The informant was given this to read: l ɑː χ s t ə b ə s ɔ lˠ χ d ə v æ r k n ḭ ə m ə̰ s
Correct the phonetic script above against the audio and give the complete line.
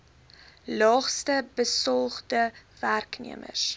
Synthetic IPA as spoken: l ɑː χ s t ə b ə s ɔ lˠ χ d ə v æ r k n ḭ ə m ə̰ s